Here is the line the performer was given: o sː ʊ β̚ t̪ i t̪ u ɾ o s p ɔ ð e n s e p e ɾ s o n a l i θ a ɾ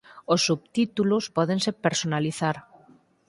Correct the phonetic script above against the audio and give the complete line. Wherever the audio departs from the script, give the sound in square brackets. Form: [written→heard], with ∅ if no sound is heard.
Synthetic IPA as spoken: o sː [ʊ→u] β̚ t̪ i t̪ u [ɾ→l] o s p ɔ ð e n s e p e ɾ s o n a l i θ a ɾ